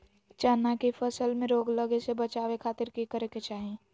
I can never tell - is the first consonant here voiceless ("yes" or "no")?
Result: yes